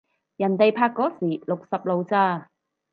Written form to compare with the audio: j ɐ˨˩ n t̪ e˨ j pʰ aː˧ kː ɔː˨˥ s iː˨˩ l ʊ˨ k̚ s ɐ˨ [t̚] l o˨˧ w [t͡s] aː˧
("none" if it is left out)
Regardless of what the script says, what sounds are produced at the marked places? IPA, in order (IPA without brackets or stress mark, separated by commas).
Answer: p̚, t͡s